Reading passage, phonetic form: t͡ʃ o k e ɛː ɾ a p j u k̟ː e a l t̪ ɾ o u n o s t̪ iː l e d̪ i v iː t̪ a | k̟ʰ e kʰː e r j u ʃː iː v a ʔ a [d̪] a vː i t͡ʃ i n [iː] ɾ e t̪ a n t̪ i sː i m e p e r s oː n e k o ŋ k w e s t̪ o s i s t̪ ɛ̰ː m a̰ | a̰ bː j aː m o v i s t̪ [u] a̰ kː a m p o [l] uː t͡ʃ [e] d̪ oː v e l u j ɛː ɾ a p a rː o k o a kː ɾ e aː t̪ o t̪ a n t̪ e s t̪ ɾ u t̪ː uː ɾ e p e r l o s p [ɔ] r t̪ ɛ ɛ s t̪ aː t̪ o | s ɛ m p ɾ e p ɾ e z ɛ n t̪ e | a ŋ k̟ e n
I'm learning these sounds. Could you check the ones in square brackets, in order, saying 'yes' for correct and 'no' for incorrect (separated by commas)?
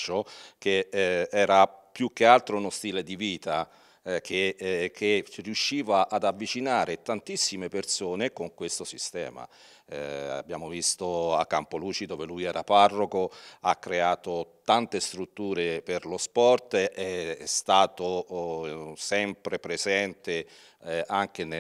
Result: yes, no, no, yes, no, yes